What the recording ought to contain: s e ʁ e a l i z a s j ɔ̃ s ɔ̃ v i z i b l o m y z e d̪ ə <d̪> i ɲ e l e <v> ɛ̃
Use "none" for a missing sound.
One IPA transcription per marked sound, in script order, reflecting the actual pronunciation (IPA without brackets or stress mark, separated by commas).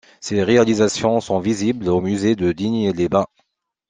d̪, b